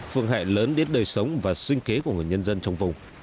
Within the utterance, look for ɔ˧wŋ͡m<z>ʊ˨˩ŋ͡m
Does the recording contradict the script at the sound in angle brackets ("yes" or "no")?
yes